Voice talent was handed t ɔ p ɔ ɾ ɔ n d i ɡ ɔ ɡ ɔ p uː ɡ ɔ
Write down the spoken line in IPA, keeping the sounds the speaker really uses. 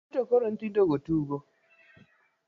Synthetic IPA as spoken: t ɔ k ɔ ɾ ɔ n t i d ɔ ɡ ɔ t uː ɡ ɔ